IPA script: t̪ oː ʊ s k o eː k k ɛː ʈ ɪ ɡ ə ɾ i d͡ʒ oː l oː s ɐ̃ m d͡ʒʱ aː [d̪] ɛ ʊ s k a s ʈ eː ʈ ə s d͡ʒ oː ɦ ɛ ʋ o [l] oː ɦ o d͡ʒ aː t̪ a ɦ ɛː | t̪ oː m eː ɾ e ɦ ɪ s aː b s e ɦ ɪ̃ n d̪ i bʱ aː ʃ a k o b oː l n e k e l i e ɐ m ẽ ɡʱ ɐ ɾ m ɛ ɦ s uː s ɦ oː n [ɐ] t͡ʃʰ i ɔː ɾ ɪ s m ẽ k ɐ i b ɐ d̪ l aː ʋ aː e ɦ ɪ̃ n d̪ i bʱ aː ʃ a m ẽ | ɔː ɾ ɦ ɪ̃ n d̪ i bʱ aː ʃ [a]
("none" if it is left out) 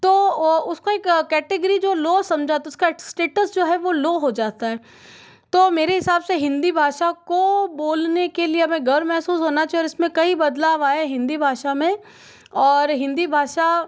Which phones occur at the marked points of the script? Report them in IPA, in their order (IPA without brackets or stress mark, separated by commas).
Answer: t̪, l, a, a